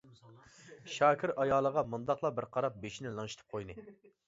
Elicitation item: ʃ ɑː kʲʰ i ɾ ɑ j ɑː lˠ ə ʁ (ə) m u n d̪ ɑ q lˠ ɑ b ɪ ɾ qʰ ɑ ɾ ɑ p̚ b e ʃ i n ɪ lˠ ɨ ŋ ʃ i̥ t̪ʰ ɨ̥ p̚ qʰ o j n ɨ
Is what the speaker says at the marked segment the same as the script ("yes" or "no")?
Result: no